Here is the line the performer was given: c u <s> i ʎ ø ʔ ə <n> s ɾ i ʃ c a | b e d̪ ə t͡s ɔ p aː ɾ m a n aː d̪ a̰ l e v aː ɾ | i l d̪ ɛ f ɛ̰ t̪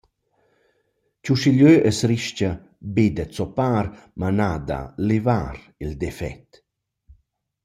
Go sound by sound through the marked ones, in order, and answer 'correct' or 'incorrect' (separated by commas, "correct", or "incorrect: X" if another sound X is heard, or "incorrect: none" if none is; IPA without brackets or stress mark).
incorrect: ʃ, incorrect: none